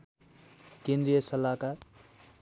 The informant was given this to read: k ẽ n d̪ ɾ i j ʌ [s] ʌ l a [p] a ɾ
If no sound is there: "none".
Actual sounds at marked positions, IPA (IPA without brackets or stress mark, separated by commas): s, k